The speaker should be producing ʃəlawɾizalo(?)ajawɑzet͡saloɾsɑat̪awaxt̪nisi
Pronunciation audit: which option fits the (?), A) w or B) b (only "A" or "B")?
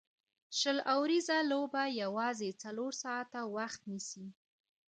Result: B